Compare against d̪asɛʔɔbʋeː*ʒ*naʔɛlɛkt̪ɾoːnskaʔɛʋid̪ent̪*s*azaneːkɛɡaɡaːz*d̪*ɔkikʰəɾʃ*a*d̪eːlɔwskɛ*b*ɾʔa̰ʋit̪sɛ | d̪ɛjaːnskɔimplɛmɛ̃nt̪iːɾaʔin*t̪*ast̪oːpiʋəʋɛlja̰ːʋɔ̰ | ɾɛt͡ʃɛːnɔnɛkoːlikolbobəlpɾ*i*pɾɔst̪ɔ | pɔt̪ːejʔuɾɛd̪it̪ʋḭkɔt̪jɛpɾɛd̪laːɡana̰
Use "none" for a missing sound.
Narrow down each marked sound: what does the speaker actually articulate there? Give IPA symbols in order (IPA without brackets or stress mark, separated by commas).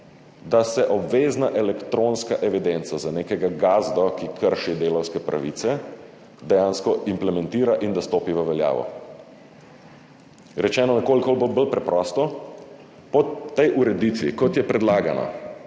z, s, d̪, i, p, d̪, ɛ